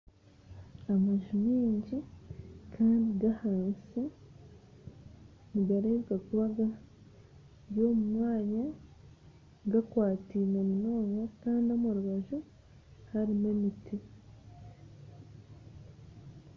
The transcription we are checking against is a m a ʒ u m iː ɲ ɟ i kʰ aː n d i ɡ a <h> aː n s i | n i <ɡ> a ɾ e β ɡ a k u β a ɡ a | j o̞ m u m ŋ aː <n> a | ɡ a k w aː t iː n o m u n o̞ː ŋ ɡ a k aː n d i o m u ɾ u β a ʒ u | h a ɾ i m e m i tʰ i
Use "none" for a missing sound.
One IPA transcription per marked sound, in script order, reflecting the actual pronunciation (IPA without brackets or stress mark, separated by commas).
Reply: h, ɡ, ɲ